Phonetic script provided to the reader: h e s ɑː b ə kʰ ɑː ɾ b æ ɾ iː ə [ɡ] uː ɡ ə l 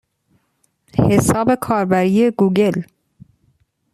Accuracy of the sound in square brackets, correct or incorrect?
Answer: correct